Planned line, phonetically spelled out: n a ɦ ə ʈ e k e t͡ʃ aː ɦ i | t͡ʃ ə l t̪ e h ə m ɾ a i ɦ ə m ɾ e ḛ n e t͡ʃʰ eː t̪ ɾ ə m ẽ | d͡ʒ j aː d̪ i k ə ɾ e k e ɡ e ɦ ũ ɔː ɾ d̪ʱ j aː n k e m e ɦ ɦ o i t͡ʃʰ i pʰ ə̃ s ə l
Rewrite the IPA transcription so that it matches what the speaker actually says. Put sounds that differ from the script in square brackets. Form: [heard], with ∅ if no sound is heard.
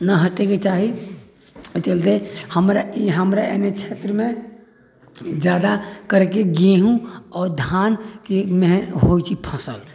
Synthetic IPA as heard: n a ɦ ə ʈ e k e t͡ʃ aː ɦ i | t͡ʃ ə l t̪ e h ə m ɾ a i ɦ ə m ɾ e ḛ n e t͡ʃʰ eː t̪ ɾ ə m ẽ | d͡ʒ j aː d̪ [a] k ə ɾ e k e ɡ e ɦ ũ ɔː ɾ d̪ʱ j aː n k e m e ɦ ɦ o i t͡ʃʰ i pʰ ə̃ s ə l

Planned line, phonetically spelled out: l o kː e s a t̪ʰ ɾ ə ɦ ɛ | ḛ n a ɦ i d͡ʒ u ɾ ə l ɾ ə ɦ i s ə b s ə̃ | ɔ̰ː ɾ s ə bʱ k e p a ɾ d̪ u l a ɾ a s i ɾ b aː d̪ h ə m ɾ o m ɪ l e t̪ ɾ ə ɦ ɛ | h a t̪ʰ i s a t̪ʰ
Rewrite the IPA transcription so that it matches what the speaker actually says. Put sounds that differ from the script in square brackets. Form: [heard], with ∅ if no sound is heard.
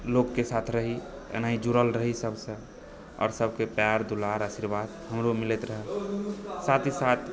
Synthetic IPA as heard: l o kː e s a t̪ʰ ɾ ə ɦ [i] | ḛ n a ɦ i d͡ʒ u ɾ ə l ɾ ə ɦ i s ə b s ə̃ | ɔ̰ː ɾ s ə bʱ k e p a ɾ d̪ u l a ɾ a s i ɾ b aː d̪ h ə m ɾ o m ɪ l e t̪ ɾ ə ɦ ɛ | [s] a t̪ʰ i s a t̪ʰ

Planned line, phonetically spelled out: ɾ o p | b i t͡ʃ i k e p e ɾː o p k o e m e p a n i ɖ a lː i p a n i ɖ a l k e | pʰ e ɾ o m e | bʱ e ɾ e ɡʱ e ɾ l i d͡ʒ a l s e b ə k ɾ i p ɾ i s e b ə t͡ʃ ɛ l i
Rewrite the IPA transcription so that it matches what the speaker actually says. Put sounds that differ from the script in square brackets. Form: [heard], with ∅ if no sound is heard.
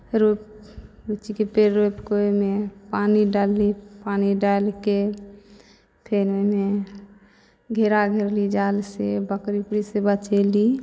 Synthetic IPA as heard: ɾ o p | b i t͡ʃ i k e p e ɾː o p k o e m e p a n i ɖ a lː i p a n i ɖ a l k e | pʰ e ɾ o m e | [ɡʱ] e ɾ [a] ɡʱ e ɾ l i d͡ʒ a l s e b ə k ɾ i p ɾ i s e b ə t͡ʃ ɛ l i

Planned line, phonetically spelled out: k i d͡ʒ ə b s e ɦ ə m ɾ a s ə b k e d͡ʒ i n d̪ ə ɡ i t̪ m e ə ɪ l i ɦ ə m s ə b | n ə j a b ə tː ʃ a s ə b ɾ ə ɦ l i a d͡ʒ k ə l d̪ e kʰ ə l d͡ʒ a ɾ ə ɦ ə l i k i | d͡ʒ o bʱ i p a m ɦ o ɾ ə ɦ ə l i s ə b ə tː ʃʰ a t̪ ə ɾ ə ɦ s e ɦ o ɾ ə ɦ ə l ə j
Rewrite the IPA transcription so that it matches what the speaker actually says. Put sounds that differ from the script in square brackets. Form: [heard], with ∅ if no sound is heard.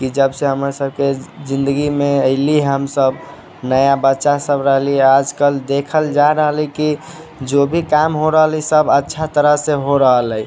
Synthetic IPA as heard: k i d͡ʒ ə b s e ɦ ə m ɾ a s ə b k e d͡ʒ i n d̪ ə ɡ i [∅] m e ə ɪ l i ɦ ə m s ə b | n ə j a b ə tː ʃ a s ə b ɾ ə ɦ l i a d͡ʒ k ə l d̪ e kʰ ə l d͡ʒ a ɾ ə ɦ ə l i k i | d͡ʒ o bʱ i [k] a m ɦ o ɾ ə ɦ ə l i s ə b ə tː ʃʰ a t̪ ə ɾ ə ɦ s e ɦ o ɾ ə ɦ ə l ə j

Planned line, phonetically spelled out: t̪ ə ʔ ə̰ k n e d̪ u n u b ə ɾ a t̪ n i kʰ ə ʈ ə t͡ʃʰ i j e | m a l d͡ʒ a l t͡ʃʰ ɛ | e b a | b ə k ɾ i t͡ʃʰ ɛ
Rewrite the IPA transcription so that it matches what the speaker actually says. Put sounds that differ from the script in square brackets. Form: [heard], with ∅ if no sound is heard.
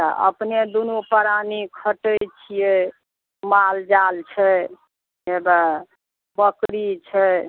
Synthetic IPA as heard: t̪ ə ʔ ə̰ [p] n e d̪ u n u [p] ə ɾ a [∅] n i kʰ ə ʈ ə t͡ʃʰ i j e | m a l d͡ʒ a l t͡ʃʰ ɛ | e b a | b ə k ɾ i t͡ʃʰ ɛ

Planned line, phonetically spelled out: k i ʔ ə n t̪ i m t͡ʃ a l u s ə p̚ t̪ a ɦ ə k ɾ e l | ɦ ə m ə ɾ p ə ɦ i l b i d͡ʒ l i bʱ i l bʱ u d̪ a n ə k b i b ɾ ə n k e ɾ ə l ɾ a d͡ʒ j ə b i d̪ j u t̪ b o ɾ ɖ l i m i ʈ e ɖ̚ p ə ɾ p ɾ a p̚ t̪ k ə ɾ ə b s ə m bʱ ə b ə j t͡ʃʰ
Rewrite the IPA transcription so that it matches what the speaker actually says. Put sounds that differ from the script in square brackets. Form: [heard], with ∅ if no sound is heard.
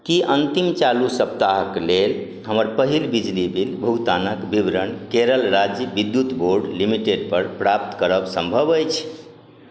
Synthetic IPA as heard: k i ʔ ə n t̪ i m t͡ʃ a l u s ə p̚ t̪ a ɦ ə k [l] e l | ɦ ə m ə ɾ p ə ɦ i l b i d͡ʒ l i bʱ i l bʱ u [t̪] a n ə k b i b ɾ ə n k e ɾ ə l ɾ a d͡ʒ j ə b i d̪ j u t̪ b o ɾ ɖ l i m i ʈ e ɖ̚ p ə ɾ p ɾ a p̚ t̪ k ə ɾ ə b s ə m bʱ ə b ə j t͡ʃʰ

